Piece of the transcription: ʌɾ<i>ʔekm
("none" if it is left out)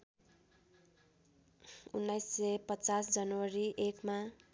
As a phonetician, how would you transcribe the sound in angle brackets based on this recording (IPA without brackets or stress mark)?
i